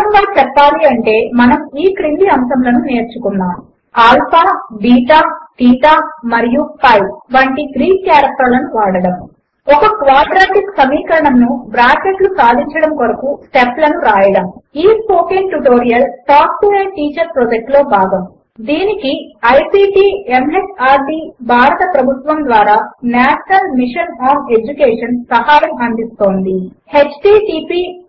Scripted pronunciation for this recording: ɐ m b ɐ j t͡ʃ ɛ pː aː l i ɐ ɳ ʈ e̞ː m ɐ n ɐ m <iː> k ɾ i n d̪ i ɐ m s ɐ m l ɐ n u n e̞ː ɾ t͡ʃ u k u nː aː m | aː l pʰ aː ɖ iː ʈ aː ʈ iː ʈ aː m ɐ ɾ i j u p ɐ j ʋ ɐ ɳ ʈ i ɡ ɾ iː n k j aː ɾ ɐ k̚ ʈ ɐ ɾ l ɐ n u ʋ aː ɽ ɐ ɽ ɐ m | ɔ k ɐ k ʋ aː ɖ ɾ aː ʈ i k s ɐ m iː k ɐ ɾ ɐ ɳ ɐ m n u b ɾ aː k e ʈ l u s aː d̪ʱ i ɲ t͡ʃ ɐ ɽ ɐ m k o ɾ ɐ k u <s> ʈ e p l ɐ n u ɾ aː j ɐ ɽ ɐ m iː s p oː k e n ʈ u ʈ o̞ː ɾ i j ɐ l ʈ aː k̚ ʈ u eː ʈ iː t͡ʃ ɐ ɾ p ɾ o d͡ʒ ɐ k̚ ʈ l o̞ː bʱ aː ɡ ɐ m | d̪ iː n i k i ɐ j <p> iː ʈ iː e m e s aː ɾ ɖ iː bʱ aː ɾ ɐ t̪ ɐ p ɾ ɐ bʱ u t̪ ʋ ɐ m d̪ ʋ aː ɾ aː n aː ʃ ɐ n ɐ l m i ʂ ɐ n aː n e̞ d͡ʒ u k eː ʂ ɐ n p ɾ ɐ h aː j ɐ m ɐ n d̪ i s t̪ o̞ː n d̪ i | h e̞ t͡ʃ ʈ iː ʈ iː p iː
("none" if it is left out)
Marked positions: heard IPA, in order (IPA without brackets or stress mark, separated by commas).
iː, s, p